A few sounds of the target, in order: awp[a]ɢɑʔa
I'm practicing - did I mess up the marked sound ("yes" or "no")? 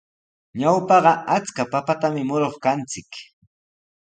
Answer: yes